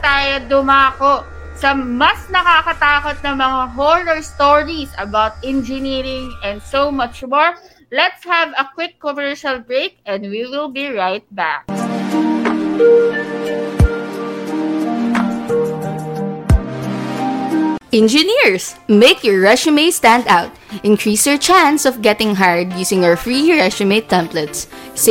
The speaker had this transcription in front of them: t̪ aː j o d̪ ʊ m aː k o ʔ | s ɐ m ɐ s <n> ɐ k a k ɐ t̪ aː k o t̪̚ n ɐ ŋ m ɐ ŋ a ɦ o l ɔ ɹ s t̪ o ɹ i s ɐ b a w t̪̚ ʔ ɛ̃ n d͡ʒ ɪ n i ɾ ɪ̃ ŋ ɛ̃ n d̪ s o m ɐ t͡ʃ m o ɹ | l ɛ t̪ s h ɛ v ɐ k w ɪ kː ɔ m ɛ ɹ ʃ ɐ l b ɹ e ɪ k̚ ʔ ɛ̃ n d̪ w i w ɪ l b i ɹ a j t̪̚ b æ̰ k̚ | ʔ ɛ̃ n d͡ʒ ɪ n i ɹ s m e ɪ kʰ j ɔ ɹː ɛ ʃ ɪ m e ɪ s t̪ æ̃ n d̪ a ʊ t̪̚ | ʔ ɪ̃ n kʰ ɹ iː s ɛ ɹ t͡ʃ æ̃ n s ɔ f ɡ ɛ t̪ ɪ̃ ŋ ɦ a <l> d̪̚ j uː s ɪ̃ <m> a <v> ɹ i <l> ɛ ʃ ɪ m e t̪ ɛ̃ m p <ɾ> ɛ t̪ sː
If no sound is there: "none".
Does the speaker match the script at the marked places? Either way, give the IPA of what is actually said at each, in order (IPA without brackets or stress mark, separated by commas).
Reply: n, ɹ, ŋ, f, ɹ, l